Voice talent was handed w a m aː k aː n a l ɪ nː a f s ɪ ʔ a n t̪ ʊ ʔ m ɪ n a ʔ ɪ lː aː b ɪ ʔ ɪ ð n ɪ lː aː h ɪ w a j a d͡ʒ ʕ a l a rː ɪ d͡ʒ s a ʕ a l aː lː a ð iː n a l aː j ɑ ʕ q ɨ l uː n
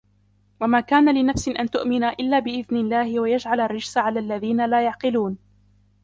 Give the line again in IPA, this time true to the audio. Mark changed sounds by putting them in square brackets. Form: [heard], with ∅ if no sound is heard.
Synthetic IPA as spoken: w a m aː k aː n a l ɪ [n] a f s ɪ ʔ a n t̪ ʊ ʔ m ɪ n a ʔ ɪ lː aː b ɪ ʔ ɪ ð n ɪ lː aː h ɪ w a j a d͡ʒ ʕ a l a rː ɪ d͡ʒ s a ʕ a l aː lː a ð iː n a l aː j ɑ ʕ q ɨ l uː n